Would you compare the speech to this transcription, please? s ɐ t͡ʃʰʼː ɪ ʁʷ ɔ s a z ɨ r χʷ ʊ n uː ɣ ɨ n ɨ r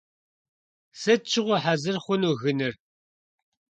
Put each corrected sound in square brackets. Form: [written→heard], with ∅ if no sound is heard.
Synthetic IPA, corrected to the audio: s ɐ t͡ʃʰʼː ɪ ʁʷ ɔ [s→ħ] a z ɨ r χʷ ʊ n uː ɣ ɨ n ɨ r